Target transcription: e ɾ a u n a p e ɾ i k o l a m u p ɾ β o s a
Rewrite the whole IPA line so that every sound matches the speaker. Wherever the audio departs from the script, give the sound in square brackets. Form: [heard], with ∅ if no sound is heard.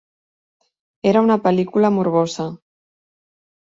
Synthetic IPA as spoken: e ɾ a u n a p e [l] i k [u] l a m u [∅] ɾ β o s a